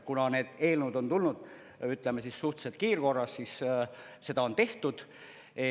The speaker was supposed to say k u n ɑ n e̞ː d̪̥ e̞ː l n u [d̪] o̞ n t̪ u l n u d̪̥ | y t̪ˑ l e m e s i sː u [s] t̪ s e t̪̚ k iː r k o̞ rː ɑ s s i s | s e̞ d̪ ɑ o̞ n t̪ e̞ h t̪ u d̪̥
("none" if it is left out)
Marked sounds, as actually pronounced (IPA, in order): d̪, h

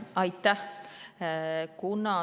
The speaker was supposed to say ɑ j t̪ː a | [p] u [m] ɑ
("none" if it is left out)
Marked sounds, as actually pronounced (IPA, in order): k, n

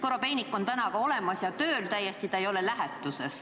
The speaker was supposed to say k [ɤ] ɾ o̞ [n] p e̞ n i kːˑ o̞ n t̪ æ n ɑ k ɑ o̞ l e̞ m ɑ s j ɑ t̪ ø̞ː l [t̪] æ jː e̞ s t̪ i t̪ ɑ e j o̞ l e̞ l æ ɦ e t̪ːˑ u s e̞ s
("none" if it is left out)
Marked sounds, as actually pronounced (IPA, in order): o, none, t̪

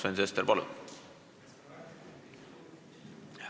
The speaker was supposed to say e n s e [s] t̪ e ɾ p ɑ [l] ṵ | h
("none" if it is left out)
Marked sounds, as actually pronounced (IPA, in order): s, l

